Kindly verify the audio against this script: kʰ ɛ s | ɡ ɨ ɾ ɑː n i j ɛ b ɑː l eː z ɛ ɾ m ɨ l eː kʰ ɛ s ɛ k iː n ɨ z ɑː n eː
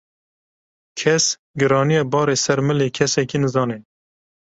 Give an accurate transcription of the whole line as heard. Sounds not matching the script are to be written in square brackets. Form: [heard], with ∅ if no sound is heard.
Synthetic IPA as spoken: kʰ ɛ s | ɡ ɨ ɾ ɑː n i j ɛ b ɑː [ɾ] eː [s] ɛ ɾ m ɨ l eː kʰ ɛ s ɛ k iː n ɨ z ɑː n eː